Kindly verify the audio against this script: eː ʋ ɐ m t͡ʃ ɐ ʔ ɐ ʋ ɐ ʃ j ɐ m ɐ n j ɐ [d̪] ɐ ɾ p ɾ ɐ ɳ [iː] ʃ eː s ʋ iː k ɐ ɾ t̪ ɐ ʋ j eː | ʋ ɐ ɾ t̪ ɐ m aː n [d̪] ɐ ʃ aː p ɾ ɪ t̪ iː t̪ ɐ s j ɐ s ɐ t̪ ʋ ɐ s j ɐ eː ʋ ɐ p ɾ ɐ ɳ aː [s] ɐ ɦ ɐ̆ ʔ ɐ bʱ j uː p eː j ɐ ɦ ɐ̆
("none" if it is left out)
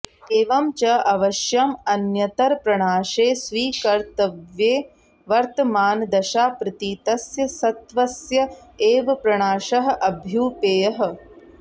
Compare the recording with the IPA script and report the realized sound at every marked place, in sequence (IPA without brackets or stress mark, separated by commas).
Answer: t̪, aː, d̪, ʃ